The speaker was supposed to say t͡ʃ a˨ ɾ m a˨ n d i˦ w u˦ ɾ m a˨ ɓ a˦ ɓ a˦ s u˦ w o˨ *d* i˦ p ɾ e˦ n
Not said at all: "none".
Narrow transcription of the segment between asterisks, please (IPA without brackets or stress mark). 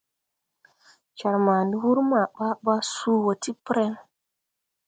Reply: t